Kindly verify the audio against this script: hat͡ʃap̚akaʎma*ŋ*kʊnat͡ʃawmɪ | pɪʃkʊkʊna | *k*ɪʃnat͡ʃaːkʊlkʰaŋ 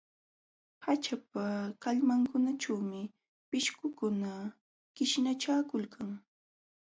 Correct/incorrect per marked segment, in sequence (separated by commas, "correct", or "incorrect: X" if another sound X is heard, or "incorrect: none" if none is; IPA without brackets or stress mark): correct, correct